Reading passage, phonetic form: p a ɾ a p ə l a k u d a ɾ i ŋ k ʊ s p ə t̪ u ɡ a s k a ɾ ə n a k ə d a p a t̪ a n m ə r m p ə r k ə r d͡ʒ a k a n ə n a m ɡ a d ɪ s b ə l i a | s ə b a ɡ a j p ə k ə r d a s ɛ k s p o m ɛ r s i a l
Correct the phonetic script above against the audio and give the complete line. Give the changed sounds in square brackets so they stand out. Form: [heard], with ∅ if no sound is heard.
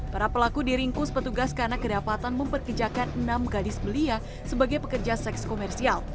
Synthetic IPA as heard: p a ɾ a p ə l a k u d [i] ɾ i ŋ k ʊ s p ə t̪ u ɡ a s k a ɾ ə n a k ə d a p a t̪ a n m ə [∅] m p ə r k ə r d͡ʒ a k a n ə n a m ɡ a d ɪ s b ə l i a | s ə b a ɡ a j p ə k ə r [d͡ʒ] a s ɛ k s [k] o m ɛ r s i a l